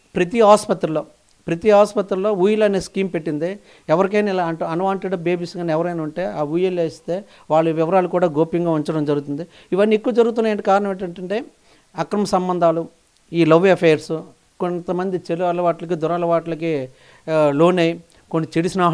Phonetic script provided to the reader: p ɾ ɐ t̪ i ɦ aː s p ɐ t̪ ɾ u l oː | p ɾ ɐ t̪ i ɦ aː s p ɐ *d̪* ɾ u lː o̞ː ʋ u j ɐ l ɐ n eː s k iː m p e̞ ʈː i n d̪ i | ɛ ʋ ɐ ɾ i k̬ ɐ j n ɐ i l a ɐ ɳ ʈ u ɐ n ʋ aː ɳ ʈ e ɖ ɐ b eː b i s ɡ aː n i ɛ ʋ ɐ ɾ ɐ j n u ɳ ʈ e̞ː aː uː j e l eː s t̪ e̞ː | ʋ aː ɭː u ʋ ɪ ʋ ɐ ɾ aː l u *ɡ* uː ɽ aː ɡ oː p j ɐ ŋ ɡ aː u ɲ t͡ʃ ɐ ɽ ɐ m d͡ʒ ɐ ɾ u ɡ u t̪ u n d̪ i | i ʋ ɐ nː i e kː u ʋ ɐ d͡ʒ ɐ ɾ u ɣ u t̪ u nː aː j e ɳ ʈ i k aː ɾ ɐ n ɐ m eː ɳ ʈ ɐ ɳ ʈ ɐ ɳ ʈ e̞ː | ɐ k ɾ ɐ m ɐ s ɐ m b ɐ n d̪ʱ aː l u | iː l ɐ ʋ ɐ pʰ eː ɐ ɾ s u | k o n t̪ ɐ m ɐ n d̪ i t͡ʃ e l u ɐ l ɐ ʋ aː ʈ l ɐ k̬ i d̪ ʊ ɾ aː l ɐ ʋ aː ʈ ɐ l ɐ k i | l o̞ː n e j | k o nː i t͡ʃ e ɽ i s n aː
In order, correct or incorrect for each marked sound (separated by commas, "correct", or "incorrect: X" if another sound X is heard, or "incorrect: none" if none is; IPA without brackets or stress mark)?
incorrect: t̪, incorrect: k